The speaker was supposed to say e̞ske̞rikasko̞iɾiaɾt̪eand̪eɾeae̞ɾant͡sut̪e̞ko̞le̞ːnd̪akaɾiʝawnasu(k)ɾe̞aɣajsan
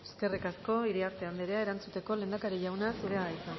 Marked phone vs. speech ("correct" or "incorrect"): incorrect